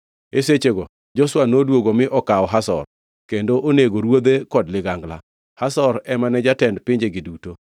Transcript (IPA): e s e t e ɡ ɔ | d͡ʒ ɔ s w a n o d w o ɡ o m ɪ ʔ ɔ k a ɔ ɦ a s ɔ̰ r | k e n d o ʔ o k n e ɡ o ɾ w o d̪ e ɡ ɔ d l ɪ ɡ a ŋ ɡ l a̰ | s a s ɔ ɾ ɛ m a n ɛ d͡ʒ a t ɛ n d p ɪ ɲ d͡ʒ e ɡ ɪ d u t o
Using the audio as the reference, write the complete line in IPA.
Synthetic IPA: e s e t͡ʃ e ɡ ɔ | d͡ʒ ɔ s w a n o d w o ɡ o m ɪ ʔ ɔ k a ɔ ɦ a s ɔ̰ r | k e n d o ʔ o n e ɡ o ɾ w o d̪ e k ɔ d l ɪ ɡ a ŋ ɡ l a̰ | h a s ɔ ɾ ɛ m a n ɛ d͡ʒ a t ɛ n d p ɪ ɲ d͡ʒ e ɡ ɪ d u t o

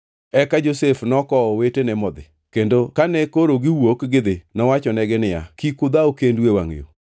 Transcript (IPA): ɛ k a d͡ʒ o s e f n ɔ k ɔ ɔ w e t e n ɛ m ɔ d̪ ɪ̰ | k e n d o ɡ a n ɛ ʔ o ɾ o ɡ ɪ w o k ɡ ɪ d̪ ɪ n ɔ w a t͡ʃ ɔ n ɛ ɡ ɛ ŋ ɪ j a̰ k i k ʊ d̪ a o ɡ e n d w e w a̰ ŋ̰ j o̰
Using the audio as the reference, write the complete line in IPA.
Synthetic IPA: ɛ k a d͡ʒ o s e f n ɔ k ɔ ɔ w e t e n ɛ m ɔ d̪ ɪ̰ | k e n d o k a n ɛ k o ɾ o ɡ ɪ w o k ɡ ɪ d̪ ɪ n ɔ w a t͡ʃ ɔ n ɛ ɡ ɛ n ɪ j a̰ k i k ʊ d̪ a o k e n d w e w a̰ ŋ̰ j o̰

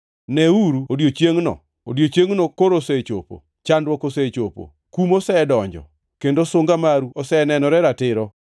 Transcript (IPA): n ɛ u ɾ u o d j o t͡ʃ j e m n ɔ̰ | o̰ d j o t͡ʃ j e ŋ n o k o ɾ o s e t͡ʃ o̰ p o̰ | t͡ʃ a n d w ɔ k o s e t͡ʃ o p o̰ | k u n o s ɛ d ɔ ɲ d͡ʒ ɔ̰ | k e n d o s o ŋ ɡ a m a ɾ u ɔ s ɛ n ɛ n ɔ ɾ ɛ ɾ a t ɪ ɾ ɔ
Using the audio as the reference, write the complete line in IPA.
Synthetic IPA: n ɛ u ɾ u o d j o t͡ʃ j e ŋ n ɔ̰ | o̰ d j o t͡ʃ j e ŋ n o k o ɾ o s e t͡ʃ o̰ p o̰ | t͡ʃ a n d w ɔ k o s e t͡ʃ o p o̰ | k u m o s ɛ d ɔ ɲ d͡ʒ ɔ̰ | k e n d o s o ŋ ɡ a m a ɾ u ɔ s ɛ n ɛ n ɔ ɾ ɛ ɾ a t ɪ ɾ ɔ

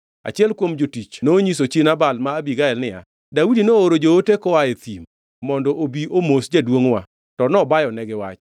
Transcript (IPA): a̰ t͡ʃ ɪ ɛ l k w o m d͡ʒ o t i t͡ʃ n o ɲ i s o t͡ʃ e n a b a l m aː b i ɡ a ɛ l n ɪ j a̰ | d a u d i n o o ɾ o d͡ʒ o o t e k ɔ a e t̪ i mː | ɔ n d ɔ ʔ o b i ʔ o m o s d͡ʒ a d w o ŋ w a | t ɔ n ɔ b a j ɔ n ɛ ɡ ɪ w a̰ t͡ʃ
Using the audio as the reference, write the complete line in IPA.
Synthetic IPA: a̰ t͡ʃ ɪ ɛ l k w o m d͡ʒ o t i t͡ʃ n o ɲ i s o t͡ʃ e n a b a l m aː b i ɡ a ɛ l n ɪ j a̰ | d a u d i n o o ɾ o d͡ʒ o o t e k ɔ a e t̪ i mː | ɔ n d ɔ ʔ o b i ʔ o m o s d͡ʒ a d w o ŋ w a | t ɔ n ɔ b a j ɔ n ɛ ɡ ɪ w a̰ t͡ʃ

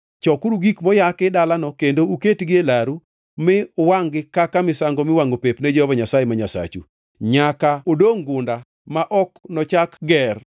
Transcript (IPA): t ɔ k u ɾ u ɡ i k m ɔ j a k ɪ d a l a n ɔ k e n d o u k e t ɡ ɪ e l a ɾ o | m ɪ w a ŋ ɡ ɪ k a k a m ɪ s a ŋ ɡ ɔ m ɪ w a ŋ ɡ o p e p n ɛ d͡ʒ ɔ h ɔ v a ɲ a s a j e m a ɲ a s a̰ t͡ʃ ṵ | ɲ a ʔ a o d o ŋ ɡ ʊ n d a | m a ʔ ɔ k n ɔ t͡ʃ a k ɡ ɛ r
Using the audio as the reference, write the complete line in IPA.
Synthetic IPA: t͡ʃ ɔ k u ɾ u ɡ i k m ɔ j a k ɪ d a l a n ɔ k e n d o u k e t ɡ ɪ e l a ɾ u | m ɪ w a ŋ ɡ ɪ k a k a m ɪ s a ŋ ɡ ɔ m ɪ w a ŋ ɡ o p e p n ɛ d͡ʒ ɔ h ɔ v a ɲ a s a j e m a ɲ a s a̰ t͡ʃ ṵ | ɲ a k a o d o ŋ ɡ ʊ n d a | m a ʔ ɔ k n ɔ t͡ʃ a k ɡ ɛ r

